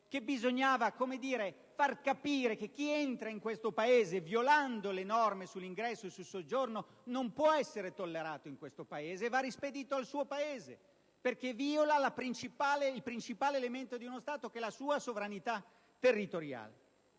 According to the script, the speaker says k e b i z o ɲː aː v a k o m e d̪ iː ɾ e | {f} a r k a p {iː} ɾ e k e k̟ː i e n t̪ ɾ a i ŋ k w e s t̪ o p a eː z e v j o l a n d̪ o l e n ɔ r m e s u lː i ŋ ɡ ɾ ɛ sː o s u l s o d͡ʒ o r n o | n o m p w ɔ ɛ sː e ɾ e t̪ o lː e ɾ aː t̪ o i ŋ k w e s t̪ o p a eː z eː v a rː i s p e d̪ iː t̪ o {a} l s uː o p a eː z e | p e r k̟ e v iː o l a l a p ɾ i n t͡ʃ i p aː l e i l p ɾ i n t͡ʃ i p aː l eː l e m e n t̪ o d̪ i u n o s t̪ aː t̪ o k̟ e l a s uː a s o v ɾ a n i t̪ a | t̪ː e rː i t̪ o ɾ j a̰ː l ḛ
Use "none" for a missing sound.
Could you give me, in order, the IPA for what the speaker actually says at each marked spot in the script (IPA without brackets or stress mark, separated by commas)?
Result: f, iː, a